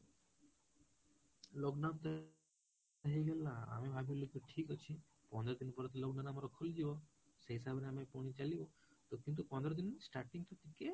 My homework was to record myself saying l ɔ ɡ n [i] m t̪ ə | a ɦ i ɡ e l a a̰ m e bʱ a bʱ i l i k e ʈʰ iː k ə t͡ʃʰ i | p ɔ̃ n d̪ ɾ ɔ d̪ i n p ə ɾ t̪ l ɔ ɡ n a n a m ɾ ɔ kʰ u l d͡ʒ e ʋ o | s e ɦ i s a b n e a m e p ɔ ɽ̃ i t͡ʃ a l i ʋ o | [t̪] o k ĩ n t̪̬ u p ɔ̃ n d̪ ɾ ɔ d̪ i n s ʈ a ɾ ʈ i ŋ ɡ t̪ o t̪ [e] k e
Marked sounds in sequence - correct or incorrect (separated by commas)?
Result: incorrect, correct, incorrect